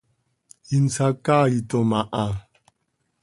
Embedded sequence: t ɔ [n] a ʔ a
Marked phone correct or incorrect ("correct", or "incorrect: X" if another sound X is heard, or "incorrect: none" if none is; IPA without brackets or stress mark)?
incorrect: m